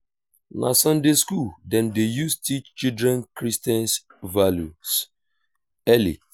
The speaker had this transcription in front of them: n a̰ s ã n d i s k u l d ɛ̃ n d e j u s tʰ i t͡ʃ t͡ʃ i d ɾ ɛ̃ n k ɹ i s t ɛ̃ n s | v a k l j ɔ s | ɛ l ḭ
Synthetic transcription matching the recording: n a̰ s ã n d e s k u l d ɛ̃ n d e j u s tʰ i t͡ʃ t͡ʃ i d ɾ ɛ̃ n k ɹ i s t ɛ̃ n s | v a l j u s | ɛ l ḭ